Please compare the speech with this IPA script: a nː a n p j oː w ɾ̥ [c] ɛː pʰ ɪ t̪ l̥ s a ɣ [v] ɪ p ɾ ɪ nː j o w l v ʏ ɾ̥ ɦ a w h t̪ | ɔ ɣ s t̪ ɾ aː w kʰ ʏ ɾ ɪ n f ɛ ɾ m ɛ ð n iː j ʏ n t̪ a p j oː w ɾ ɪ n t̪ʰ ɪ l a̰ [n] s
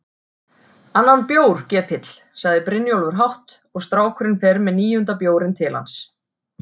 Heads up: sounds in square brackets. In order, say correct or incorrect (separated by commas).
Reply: correct, incorrect, correct